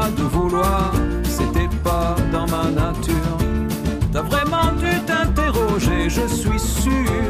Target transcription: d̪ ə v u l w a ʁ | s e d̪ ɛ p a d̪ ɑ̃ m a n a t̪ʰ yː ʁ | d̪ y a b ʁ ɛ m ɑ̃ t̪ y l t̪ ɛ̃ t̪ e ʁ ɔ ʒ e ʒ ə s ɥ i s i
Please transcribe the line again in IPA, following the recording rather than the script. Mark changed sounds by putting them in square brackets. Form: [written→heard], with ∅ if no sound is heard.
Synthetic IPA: d̪ ə v u l w a ʁ | s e [d̪→t̪] ɛ p a d̪ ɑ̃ m a n a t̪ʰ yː ʁ | [d̪→t̪] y a [b→v] ʁ ɛ m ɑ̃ [t̪→d̪] y [l→∅] t̪ ɛ̃ t̪ e ʁ ɔ ʒ e ʒ ə s ɥ i s [i→y]